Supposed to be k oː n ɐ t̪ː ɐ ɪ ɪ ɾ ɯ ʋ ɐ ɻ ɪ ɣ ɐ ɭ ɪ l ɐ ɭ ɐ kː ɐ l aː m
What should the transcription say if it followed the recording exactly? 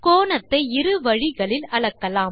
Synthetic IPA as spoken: k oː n ɐ t̪ː ɐ ɪ ɪ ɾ ɯ ʋ ɐ ɻ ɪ ɣ ɐ ɭ ɪ l ɐ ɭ ɐ kː ɐ l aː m